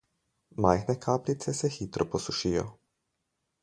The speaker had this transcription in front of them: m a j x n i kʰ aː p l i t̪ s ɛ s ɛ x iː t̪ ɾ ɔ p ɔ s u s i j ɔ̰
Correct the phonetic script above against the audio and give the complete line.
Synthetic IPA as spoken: m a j x n ɛ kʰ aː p l i t̪ s ɛ s ɛ x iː t̪ ɾ ɔ p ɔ s u ʃ i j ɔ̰